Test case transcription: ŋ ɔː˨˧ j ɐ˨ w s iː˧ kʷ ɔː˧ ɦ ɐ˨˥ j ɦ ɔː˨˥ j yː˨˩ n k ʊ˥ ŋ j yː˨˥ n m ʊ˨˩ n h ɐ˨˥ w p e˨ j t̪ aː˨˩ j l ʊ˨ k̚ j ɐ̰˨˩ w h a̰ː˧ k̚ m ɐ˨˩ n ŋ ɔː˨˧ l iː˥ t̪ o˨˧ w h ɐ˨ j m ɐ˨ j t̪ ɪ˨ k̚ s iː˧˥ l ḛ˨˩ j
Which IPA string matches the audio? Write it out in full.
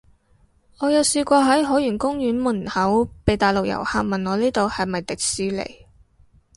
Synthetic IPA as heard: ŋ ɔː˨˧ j ɐ˨ w s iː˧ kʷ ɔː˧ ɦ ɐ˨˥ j ɦ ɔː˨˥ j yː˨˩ n k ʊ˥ ŋ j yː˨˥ n m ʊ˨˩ n h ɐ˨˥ w p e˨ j t̪ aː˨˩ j l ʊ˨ k̚ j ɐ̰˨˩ w h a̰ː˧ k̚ m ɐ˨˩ n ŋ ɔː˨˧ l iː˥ t̪ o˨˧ w h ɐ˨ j m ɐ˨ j t̪ ɪ˨ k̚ s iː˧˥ l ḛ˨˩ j